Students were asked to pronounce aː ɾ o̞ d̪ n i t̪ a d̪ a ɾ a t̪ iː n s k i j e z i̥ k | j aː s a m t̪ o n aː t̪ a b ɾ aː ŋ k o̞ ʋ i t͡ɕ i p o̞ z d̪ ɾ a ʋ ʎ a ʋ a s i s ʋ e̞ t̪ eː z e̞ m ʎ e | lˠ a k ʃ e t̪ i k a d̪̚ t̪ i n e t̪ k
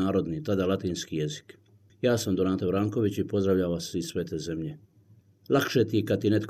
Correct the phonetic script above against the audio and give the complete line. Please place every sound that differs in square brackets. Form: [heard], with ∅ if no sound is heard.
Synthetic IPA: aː ɾ o̞ d̪ n i t̪ a d̪ a [l] a t̪ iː n s k i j e z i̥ k | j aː s a m [d̪] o n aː t̪ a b ɾ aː ŋ k o̞ ʋ i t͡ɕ i p o̞ z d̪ ɾ a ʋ ʎ a ʋ a s i s ʋ e̞ t̪ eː z e̞ m ʎ e | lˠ a k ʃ e t̪ i k a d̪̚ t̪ i n e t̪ k